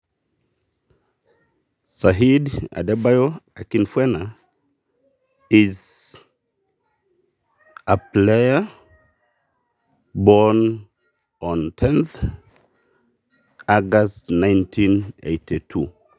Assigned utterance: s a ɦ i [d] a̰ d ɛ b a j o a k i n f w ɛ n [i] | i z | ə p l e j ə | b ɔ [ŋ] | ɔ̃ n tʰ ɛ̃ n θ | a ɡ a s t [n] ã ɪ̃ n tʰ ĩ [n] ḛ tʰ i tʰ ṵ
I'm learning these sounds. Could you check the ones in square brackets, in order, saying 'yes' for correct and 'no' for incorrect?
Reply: yes, no, no, yes, yes

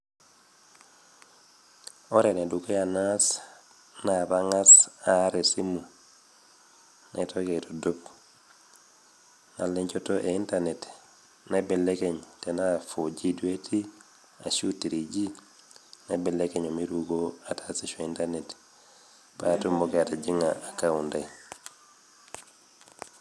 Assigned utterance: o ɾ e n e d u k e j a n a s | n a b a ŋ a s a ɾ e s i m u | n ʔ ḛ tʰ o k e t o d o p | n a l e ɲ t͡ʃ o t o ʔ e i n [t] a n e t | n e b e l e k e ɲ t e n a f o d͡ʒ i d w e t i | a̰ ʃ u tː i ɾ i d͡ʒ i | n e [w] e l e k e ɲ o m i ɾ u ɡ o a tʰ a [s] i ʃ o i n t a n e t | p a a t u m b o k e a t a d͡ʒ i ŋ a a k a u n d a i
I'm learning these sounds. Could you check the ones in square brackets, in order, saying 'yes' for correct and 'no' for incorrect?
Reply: yes, no, yes

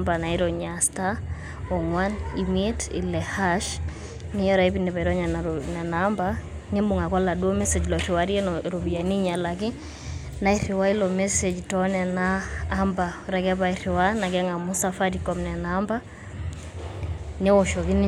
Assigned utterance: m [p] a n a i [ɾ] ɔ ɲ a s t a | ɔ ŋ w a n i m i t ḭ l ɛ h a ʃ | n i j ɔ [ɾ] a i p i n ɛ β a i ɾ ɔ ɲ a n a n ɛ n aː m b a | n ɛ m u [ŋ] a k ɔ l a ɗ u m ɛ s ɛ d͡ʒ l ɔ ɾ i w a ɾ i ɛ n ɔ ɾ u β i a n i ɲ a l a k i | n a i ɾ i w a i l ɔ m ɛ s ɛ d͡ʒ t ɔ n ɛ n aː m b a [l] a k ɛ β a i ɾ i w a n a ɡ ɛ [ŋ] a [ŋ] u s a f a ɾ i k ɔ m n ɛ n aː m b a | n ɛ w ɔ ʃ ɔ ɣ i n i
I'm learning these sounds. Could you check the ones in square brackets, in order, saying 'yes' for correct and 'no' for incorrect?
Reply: no, yes, yes, yes, no, yes, no

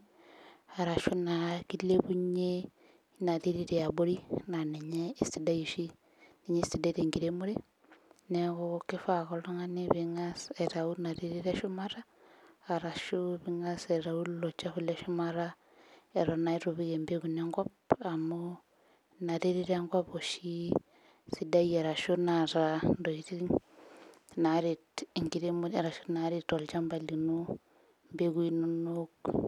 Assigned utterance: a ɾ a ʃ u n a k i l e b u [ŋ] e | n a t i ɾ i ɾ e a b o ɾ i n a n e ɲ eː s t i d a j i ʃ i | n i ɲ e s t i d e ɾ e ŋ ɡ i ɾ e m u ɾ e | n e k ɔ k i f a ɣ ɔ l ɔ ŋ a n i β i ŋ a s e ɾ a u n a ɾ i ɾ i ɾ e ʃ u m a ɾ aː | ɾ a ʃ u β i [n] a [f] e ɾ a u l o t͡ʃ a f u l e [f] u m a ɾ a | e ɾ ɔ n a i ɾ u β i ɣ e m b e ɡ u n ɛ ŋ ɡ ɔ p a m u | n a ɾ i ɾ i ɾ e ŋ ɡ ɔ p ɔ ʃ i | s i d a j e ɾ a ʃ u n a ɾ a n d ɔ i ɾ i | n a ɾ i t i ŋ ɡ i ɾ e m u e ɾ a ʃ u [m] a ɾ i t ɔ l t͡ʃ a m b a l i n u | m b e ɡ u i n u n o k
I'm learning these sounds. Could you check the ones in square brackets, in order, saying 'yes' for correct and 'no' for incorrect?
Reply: no, no, no, no, no

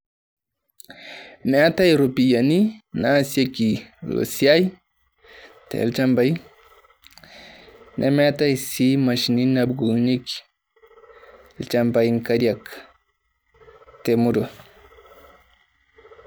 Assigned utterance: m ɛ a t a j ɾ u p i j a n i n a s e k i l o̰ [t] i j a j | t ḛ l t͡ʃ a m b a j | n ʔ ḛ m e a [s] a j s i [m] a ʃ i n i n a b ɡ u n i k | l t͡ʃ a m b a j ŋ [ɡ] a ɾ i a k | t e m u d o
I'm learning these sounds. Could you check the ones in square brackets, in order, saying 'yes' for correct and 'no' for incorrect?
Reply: no, no, yes, no

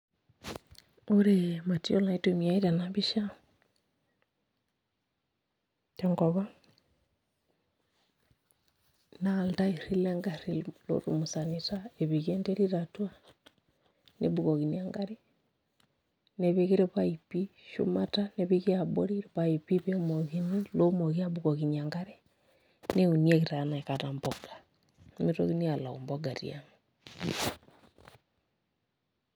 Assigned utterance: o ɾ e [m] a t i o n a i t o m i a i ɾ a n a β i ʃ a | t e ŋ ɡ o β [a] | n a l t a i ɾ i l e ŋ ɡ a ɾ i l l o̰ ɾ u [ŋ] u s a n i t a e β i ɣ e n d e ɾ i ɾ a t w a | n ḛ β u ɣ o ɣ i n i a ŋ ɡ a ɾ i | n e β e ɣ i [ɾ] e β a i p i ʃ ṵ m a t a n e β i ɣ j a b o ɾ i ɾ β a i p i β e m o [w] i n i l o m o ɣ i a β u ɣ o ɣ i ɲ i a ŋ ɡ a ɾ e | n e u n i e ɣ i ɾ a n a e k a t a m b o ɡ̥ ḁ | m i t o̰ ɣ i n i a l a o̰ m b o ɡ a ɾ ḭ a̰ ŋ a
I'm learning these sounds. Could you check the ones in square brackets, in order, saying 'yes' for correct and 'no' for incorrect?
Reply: yes, yes, no, yes, no

